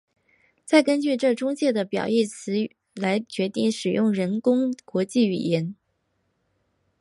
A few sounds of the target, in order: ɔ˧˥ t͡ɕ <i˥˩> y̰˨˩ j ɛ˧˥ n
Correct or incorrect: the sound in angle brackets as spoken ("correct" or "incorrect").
correct